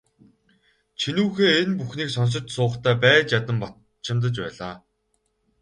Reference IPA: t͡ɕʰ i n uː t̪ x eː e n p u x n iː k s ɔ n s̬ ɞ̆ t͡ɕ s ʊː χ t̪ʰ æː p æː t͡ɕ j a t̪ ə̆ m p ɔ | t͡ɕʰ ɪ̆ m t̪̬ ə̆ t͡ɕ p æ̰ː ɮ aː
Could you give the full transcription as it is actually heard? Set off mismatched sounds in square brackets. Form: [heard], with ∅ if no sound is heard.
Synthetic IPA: t͡ɕʰ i n uː [∅] x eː e n p u x n iː k s ɔ n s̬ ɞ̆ t͡ɕ s ʊː χ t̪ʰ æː p æː t͡ɕ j a t̪ ə̆ m p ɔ | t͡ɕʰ ɪ̆ m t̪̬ ə̆ t͡ɕ p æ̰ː ɮ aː